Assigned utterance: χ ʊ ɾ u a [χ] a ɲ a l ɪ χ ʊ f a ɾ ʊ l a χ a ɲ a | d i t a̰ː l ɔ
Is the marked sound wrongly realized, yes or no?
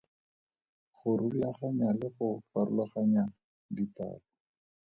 no